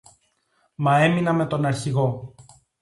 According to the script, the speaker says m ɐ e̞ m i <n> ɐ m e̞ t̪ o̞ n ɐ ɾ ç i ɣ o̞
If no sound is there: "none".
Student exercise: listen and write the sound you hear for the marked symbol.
n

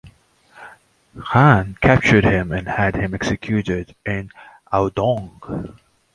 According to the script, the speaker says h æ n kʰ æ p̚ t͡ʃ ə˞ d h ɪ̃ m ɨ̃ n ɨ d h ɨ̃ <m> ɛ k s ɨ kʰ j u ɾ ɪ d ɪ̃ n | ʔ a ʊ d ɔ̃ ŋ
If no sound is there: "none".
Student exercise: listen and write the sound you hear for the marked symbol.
m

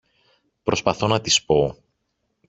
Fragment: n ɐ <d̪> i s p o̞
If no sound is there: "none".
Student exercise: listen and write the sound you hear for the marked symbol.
t̪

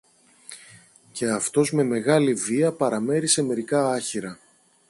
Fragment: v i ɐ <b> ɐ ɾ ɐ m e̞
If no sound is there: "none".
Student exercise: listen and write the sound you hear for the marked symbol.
p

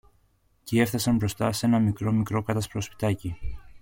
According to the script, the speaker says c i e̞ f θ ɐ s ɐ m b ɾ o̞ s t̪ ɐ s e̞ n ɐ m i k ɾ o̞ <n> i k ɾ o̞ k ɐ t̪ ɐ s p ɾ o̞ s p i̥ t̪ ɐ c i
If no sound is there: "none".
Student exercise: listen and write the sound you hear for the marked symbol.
m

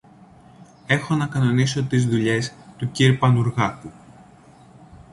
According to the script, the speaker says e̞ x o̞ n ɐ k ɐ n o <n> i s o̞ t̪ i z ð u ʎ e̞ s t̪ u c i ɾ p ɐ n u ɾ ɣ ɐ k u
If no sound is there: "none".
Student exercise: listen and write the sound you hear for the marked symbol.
n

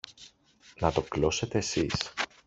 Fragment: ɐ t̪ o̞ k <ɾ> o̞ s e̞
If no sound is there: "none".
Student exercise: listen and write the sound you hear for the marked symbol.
l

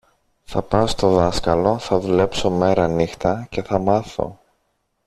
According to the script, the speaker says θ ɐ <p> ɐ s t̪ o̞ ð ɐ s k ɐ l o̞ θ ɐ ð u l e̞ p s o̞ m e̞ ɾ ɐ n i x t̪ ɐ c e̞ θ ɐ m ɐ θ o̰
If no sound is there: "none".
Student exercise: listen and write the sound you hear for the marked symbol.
p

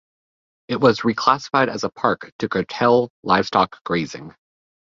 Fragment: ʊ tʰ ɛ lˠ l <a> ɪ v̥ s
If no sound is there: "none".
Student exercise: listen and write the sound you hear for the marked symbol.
a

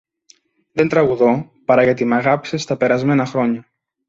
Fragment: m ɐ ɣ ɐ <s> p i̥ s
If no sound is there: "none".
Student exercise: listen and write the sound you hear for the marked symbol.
none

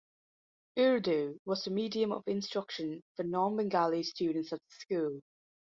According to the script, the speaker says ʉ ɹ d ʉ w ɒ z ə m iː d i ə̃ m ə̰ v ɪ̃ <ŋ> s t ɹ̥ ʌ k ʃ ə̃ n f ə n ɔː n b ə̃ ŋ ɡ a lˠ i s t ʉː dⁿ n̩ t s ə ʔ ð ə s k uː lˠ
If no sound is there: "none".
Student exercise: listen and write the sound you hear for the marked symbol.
n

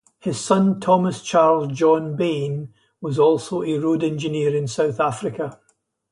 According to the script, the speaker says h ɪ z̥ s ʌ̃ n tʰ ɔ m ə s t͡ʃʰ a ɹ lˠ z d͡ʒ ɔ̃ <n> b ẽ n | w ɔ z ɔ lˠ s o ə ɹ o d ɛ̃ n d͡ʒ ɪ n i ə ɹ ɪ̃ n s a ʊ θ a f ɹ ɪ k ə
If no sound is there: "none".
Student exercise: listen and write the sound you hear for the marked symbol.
n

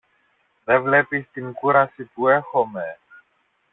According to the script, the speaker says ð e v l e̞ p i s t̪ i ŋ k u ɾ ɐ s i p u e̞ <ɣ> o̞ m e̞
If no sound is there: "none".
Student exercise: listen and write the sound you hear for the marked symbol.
x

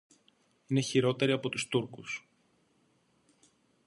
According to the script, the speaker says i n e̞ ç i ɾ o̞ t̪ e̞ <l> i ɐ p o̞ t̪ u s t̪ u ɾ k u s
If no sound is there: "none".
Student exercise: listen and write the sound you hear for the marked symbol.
ɾ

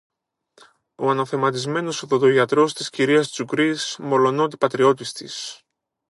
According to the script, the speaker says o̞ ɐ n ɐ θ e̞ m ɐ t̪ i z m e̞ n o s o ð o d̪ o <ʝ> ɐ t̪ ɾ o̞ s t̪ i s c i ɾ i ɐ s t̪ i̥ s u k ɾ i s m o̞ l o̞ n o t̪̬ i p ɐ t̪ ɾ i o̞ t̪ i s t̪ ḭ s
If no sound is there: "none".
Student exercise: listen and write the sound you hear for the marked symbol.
ʝ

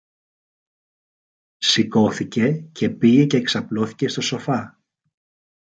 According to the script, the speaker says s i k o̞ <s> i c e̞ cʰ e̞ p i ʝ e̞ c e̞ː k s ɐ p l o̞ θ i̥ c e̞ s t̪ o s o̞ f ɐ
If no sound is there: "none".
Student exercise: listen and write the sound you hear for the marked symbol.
θ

